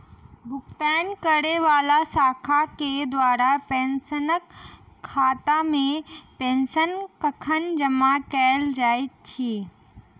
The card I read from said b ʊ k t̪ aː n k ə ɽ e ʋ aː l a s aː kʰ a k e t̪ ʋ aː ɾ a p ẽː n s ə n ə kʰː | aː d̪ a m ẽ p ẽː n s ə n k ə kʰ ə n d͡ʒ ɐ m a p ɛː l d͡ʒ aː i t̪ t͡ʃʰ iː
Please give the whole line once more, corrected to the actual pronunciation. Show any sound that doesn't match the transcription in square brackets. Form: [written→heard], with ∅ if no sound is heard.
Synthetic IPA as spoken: b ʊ k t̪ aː n k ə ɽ e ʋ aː l a s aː kʰ a k e [t̪→d̪] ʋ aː ɾ a p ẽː n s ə n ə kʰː | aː [d̪→t̪] a m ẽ p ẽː n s ə n k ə kʰ ə n d͡ʒ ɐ m a [p→k] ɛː l d͡ʒ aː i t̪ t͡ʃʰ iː